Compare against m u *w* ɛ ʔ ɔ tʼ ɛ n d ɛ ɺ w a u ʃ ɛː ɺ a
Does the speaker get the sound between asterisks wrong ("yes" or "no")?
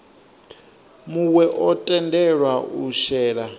no